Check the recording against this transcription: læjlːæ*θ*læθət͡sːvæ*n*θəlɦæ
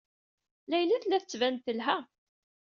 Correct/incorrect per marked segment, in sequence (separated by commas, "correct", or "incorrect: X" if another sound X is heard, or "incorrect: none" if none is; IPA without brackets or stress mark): correct, correct